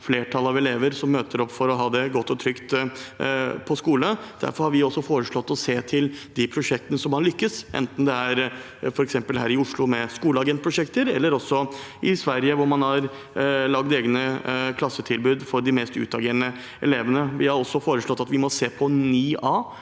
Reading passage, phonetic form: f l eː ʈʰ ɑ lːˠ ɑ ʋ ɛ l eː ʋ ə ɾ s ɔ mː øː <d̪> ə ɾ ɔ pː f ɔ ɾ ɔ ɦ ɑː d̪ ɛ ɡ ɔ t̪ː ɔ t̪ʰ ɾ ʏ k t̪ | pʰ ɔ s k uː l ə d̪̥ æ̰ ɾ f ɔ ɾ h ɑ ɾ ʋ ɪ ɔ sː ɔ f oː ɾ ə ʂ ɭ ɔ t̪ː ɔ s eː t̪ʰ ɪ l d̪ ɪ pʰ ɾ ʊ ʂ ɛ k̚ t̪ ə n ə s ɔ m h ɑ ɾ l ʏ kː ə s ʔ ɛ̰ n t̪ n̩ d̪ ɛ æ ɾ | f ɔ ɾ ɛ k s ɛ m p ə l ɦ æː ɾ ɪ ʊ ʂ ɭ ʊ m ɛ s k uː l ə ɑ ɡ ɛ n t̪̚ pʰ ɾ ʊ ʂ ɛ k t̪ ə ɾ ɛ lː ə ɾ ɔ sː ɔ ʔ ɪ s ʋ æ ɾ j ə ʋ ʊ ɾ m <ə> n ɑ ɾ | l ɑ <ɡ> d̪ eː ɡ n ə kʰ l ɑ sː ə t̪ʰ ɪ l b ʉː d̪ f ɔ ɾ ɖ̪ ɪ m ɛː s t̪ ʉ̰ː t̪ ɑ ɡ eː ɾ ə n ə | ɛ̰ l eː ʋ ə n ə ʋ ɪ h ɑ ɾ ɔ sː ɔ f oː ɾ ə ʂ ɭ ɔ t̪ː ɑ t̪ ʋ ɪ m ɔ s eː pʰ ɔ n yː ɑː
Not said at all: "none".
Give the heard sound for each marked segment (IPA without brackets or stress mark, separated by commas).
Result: t̪, ɑ, ɡ